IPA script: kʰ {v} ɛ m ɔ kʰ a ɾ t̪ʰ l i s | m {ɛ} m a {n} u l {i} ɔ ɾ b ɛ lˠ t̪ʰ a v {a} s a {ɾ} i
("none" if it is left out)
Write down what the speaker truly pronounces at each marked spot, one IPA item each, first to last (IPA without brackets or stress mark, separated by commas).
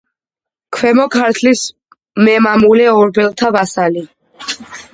w, ɛ, m, ɛ, a, l